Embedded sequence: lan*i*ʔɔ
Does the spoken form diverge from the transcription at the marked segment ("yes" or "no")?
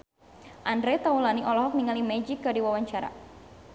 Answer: no